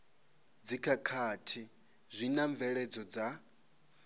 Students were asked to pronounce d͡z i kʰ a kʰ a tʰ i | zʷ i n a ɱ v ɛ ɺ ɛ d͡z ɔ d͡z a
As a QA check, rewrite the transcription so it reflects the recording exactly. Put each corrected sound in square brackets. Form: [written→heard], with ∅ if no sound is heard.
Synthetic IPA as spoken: d͡z i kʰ a kʰ a tʰ i | zʷ i n a ɱ v ɛ ɺ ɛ d͡z ɔ d͡z a